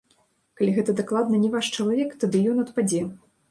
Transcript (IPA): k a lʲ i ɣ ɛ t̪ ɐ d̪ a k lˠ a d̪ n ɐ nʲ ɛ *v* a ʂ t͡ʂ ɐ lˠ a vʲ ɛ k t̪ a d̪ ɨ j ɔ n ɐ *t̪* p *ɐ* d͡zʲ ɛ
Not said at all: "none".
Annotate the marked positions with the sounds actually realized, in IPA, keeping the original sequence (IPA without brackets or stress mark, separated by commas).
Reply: v, t̪, a